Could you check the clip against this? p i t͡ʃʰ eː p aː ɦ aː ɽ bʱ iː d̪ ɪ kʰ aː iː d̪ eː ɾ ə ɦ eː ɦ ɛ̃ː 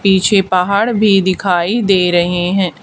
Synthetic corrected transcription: p iː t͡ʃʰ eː p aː ɦ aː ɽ bʱ iː d̪ ɪ kʰ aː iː d̪ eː ɾ ə ɦ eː ɦ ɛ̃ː